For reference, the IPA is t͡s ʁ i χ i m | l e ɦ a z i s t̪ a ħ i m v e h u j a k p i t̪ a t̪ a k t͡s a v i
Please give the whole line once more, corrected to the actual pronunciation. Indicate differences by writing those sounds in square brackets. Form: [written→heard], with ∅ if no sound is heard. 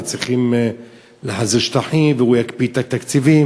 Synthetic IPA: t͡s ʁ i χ i m | l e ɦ a z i [s→ʃ] t̪ a ħ i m v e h u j a k p i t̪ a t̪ a k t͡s [a→i] v i